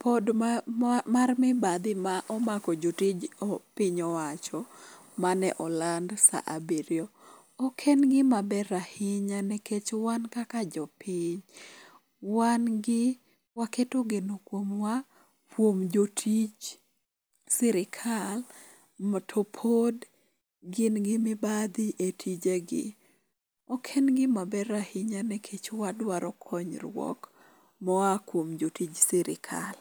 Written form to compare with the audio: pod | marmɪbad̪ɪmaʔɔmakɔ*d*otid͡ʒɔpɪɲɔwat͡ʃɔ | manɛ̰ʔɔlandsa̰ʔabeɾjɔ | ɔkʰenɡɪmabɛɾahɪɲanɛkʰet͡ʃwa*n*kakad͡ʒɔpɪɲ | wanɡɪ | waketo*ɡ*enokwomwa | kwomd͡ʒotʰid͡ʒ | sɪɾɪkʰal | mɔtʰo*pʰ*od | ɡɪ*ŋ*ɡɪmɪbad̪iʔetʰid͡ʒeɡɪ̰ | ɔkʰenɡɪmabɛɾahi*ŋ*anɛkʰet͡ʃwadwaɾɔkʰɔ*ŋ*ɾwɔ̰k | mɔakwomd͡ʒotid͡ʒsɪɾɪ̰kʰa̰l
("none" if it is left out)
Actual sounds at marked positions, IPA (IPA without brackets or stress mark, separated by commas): d͡ʒ, n, ɡ, pʰ, n, ɲ, ɲ